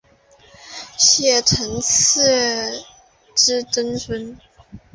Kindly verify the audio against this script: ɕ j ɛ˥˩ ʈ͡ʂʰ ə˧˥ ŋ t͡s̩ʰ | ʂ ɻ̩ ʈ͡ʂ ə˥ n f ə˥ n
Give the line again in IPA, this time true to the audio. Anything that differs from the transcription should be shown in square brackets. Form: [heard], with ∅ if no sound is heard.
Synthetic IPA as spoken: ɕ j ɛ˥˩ ʈ͡ʂʰ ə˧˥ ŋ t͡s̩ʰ | [ʈ͡ʂ] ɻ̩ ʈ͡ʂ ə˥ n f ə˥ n